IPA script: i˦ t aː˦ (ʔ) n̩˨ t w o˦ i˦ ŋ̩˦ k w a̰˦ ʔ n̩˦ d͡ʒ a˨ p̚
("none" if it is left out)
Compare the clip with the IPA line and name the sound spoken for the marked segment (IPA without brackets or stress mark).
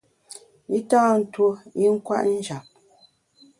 none